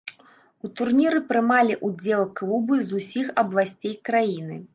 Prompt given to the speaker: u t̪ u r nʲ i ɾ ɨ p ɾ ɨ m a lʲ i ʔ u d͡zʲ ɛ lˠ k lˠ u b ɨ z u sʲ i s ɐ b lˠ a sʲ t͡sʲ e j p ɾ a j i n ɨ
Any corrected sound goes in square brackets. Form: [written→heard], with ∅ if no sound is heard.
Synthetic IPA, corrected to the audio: u t̪ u r nʲ i ɾ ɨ p ɾ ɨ m a lʲ i ʔ u d͡zʲ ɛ lˠ k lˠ u b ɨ z u sʲ i [s→x] ɐ b lˠ a sʲ t͡sʲ e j [p→k] ɾ a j i n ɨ